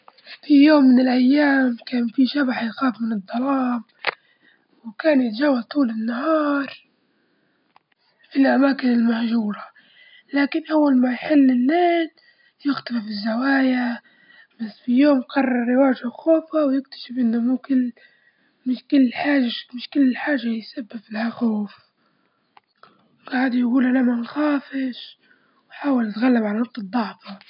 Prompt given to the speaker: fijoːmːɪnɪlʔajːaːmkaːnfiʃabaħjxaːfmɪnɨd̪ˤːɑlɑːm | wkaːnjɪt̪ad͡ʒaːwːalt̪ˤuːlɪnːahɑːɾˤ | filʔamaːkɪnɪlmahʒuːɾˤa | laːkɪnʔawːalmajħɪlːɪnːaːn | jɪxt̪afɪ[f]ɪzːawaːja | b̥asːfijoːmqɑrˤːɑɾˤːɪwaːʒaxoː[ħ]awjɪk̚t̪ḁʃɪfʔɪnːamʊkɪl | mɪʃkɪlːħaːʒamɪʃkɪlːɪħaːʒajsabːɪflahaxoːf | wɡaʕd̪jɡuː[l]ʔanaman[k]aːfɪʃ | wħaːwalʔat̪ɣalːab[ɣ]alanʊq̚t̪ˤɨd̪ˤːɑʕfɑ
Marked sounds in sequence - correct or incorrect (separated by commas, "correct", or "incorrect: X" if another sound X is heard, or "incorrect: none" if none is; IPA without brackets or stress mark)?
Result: correct, incorrect: f, correct, incorrect: x, incorrect: ʕ